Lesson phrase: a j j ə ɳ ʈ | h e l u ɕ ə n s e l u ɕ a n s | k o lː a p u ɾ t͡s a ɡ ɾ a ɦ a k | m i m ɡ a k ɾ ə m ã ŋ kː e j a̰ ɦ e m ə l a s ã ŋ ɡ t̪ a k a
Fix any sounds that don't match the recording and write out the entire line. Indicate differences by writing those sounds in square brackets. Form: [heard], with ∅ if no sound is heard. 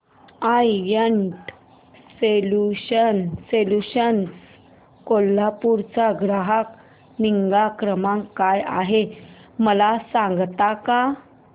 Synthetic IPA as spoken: a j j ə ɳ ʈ | [s] e l u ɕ ə n s e l u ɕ [ə] n s | k o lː a p u ɾ t͡s a ɡ ɾ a ɦ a k | [n] i [ŋ] ɡ a k ɾ ə m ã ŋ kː [a] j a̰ ɦ e m ə l a s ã ŋ ɡ t̪ a k a